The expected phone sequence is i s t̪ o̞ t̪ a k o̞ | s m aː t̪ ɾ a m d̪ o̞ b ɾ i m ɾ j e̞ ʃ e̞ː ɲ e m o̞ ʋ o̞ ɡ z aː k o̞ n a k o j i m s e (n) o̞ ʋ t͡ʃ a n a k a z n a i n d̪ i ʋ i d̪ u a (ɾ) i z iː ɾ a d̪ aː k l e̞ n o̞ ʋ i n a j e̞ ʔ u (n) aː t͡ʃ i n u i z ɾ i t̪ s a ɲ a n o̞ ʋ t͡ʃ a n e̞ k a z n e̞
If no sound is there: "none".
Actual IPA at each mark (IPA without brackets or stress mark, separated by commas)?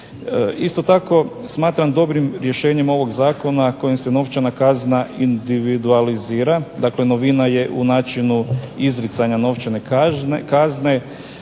n, l, n